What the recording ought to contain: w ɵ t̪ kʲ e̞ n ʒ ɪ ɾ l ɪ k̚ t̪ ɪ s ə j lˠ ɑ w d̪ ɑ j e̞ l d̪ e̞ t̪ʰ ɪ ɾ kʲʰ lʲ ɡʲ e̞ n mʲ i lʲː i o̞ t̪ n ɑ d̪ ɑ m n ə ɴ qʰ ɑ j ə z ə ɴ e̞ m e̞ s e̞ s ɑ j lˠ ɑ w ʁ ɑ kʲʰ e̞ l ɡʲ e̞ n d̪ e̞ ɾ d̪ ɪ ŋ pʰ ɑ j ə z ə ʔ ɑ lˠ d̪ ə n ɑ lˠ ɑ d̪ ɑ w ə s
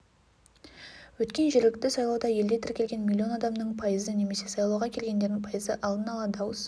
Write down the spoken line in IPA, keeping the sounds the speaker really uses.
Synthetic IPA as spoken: w ɵ t̪ kʲ e̞ n ʒ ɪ ɾ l ɪ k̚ t̪ ɪ s ɑ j lˠ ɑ w d̪ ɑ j e̞ l d̪ e̞ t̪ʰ ɪ ɾ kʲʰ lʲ ɡʲ e̞ n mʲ i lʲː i o̞ n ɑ d̪ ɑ m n ə ɴ pʰ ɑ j ə z ə n e̞ m e̞ s e̞ s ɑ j lˠ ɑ w ʁ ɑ kʲʰ e̞ l ɡʲ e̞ n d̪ e̞ ɾ d̪ ɪ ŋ pʰ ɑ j ə z ə ʔ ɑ lˠ d̪ ə n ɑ lˠ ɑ d̪ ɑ w ə s

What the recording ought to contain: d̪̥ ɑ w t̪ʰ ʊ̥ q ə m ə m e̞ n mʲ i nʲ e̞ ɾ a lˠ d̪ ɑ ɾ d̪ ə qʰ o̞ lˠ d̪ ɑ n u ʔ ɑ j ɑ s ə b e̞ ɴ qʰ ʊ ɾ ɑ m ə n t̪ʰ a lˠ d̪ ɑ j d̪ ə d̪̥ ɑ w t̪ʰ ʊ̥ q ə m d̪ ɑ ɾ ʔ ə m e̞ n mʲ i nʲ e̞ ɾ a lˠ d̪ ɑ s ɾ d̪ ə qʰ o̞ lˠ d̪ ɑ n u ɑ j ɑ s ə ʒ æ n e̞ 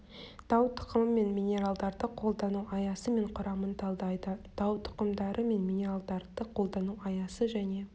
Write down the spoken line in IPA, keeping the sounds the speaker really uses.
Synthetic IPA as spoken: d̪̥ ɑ w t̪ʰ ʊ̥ q ə m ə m e̞ n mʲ i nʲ e̞ ɾ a lˠ d̪ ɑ ɾ d̪ ə qʰ o̞ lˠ d̪ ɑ n u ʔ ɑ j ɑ s ə m e̞ ɴ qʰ ʊ ɾ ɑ m ə n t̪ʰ ɑ lˠ d̪ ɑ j d̪ ə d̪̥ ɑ w t̪ʰ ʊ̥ q ə m d̪ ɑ ɾ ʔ ə m e̞ n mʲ i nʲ e̞ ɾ a lˠ d̪ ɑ ɾ d̪ ə qʰ o̞ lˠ d̪ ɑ n u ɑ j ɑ s ə ʒ æ n e̞

